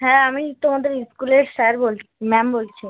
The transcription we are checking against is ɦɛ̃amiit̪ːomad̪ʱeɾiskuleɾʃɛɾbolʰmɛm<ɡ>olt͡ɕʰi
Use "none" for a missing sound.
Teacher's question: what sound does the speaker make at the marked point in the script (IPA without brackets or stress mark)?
b